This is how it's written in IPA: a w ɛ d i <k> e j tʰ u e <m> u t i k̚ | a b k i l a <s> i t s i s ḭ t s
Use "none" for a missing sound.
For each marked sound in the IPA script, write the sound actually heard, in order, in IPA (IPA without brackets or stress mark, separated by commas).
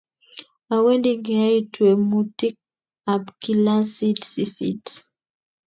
ɡ, m, s